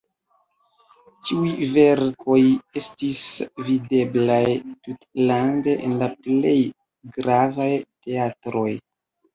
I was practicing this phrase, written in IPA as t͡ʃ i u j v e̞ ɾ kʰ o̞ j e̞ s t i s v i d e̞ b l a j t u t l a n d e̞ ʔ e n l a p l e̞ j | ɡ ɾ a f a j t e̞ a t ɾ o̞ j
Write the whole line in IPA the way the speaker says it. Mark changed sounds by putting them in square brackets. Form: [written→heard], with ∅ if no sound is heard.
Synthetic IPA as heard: t͡ʃ i u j v e̞ ɾ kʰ o̞ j e̞ s t i s v i d e̞ b l a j t u t l a n d e̞ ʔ e n l a p l e̞ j | ɡ ɾ a [f→v] a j t e̞ a t ɾ o̞ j